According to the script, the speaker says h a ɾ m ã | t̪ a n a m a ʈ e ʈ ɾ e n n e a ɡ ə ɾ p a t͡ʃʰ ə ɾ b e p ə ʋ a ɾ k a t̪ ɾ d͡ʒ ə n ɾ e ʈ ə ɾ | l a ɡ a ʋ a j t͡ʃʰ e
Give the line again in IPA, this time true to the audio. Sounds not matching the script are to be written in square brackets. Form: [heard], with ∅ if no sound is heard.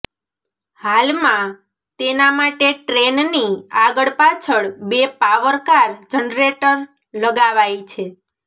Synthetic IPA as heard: h a [l] m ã | t̪ [e] n a m a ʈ e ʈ ɾ e n n [i] a ɡ ə [ɭ] p a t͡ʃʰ ə [ɭ] b e p [a] ʋ [ə] ɾ k a [∅] ɾ d͡ʒ ə n ɾ e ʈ ə ɾ | l [ə] ɡ a ʋ a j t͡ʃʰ e